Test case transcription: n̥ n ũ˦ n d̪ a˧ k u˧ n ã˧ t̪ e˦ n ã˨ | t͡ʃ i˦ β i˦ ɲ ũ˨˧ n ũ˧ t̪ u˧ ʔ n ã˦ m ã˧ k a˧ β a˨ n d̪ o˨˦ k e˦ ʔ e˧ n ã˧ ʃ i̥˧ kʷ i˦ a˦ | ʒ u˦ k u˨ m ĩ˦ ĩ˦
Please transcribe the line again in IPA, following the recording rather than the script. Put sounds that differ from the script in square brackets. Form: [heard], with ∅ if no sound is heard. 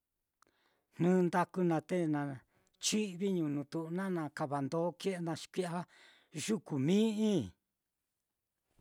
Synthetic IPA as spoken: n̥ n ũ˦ n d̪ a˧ k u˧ n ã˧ t̪ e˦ n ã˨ | t͡ʃ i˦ β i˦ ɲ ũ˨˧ n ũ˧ t̪ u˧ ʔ n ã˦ [n] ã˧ k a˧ β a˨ n d̪ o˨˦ k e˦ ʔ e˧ n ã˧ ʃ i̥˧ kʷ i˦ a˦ | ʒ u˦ k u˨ m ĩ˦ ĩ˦